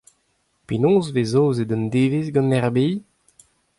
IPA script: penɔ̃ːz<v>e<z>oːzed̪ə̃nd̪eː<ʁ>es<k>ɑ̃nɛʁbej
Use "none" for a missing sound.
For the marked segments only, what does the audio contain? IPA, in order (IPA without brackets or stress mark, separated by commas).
v, z, v, ɡ